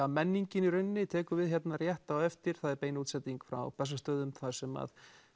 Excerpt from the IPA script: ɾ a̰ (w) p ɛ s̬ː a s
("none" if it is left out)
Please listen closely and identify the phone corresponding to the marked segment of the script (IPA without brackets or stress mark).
w